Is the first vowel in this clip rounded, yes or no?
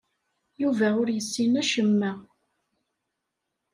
yes